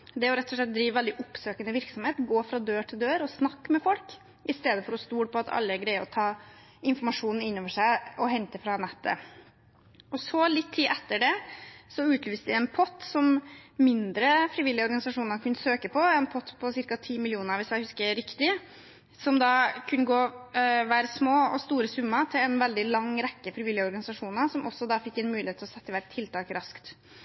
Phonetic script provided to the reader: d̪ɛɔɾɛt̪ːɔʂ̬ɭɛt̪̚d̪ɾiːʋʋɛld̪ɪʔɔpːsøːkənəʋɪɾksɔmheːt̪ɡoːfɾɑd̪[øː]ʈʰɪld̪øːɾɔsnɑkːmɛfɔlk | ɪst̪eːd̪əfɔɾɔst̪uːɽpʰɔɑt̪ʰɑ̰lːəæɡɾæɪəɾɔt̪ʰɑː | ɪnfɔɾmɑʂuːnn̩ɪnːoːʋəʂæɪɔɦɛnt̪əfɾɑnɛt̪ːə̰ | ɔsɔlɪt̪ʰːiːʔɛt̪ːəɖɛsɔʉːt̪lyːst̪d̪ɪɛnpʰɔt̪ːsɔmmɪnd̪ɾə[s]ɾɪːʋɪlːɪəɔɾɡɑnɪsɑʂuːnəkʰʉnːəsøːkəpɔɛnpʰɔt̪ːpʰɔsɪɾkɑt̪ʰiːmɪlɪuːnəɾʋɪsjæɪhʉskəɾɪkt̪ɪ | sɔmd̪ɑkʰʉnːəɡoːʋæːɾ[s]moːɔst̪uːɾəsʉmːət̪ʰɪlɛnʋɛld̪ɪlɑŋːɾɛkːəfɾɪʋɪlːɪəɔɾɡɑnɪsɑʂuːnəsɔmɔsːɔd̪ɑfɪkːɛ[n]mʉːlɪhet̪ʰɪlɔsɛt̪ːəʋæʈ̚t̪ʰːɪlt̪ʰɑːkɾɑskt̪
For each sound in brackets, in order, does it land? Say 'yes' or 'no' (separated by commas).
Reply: yes, no, yes, yes